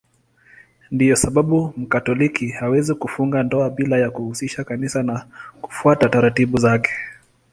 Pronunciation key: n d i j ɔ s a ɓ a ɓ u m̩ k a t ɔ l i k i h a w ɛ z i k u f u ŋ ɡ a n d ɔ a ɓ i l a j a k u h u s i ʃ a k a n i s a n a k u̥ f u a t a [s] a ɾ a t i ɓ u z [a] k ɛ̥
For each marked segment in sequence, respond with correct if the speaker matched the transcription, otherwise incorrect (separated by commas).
incorrect, correct